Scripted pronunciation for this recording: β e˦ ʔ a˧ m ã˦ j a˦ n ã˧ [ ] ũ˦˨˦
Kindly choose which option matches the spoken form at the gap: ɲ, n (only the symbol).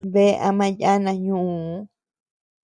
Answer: ɲ